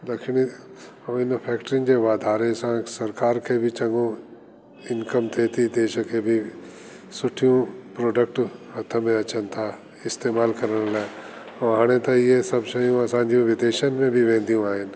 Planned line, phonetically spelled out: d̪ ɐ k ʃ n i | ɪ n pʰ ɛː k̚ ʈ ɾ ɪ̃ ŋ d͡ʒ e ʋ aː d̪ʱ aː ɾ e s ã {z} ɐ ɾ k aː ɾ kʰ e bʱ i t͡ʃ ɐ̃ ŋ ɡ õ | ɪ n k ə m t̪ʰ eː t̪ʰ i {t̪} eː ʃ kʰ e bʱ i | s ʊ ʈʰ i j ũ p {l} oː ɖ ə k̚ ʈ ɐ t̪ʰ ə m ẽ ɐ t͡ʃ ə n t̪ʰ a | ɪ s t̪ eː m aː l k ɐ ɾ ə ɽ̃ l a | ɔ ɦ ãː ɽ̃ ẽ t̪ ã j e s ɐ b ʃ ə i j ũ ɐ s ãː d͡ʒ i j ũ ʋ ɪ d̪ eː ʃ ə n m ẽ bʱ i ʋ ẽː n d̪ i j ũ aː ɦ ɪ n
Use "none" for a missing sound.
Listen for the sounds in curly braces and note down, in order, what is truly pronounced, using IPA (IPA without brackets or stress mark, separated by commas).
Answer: s, d̪, ɾ